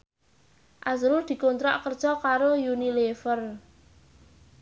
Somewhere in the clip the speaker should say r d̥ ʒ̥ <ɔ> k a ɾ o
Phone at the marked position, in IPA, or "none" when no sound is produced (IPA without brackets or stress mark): ɔ